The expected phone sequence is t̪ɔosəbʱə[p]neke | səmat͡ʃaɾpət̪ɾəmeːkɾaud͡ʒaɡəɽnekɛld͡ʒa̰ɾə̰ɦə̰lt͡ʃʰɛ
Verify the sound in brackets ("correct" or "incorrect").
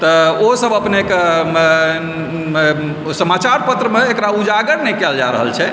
correct